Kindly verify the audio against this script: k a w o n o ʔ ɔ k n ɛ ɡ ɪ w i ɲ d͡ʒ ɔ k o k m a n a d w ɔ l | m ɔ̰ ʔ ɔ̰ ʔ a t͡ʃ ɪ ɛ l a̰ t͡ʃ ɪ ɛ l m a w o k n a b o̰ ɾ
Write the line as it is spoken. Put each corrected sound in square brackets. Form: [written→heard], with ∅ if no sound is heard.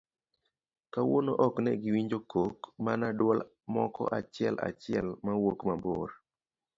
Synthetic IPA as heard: k a w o n o ʔ ɔ k n ɛ ɡ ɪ w i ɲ d͡ʒ [ɔ→o] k o k m a n a d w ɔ l | m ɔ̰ [ʔ→k] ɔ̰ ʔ a t͡ʃ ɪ ɛ l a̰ t͡ʃ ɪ ɛ l m a w o k [n→m] a b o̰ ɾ